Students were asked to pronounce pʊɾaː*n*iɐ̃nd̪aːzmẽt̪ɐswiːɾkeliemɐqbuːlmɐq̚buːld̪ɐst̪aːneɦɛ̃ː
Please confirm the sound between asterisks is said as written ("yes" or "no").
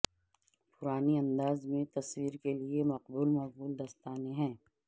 yes